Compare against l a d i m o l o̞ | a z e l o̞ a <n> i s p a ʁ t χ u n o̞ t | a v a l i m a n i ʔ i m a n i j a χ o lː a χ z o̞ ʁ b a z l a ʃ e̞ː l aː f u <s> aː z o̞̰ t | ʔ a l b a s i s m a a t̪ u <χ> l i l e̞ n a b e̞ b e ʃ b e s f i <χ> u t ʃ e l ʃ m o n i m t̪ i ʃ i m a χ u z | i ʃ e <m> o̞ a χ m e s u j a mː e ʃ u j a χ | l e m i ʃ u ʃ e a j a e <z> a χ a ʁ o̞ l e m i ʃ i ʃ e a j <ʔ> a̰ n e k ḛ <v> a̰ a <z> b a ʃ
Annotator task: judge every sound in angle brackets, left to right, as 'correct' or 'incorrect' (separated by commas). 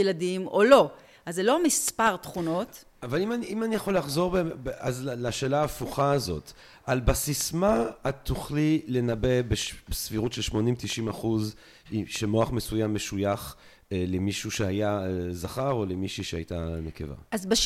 incorrect, incorrect, correct, incorrect, correct, correct, incorrect, correct, correct